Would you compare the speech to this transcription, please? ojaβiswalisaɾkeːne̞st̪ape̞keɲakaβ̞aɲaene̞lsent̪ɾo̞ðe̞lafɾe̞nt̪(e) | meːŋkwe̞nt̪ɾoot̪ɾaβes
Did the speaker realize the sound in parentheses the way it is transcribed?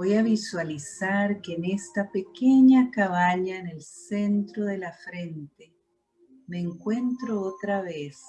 yes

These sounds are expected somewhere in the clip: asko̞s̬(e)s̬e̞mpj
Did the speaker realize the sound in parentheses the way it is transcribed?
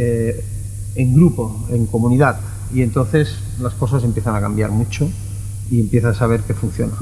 no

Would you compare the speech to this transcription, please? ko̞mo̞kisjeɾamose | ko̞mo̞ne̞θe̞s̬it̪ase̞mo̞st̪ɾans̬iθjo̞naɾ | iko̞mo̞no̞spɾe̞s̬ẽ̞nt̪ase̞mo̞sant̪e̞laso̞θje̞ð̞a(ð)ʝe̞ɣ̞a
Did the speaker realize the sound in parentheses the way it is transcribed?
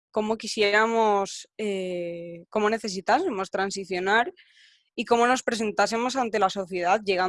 yes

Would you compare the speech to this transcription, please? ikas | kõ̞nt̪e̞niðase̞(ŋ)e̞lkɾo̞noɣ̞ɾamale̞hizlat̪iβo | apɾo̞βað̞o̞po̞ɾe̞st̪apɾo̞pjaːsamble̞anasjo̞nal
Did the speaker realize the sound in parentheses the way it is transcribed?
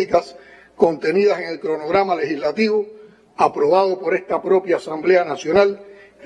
yes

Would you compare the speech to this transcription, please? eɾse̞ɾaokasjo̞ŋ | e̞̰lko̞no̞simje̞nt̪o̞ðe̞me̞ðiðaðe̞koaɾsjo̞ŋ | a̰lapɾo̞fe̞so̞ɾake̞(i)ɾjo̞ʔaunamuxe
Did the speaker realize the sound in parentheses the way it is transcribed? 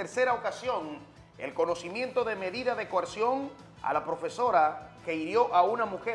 yes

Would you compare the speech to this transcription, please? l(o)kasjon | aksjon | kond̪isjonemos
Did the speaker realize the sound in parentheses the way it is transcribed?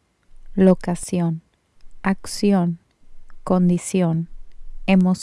yes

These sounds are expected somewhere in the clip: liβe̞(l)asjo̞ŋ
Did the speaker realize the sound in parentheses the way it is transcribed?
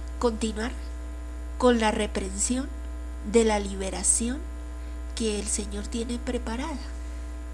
no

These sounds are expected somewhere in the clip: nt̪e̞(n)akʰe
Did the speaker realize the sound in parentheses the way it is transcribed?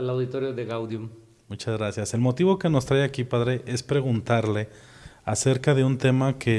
no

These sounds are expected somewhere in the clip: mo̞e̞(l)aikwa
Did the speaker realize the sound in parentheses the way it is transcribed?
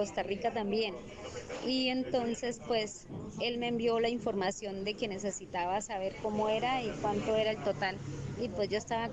no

